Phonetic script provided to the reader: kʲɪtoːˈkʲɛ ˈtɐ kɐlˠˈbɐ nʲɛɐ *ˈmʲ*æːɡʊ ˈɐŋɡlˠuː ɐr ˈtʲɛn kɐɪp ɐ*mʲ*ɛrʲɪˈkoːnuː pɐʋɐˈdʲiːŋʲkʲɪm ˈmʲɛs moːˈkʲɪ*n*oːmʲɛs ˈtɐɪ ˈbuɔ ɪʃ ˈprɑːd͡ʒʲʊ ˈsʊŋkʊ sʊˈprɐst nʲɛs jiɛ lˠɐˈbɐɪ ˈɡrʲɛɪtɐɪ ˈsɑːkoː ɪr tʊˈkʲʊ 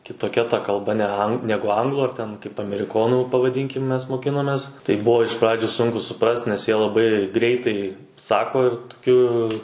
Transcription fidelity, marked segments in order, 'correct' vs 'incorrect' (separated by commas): incorrect, correct, correct